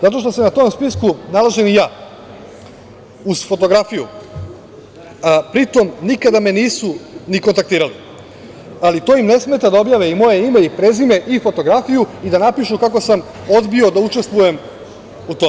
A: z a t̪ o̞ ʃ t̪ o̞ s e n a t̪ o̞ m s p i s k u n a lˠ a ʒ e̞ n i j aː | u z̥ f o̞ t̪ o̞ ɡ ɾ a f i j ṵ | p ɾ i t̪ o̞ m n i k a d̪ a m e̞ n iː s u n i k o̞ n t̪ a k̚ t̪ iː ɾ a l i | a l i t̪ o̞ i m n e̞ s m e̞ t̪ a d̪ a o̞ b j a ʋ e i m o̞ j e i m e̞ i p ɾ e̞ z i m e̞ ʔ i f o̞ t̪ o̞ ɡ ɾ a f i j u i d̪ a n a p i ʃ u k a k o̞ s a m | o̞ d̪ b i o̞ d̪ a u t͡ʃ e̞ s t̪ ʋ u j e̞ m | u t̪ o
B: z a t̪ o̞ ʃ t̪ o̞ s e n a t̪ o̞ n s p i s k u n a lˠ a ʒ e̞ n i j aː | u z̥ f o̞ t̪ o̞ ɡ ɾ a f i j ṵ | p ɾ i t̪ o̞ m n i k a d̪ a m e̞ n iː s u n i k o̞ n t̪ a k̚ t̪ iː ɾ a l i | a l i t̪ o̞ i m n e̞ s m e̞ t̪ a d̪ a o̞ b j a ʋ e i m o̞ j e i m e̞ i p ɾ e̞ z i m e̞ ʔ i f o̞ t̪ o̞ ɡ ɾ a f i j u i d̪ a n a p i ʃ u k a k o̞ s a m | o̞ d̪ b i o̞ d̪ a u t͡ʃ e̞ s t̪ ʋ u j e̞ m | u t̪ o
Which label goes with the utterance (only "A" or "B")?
A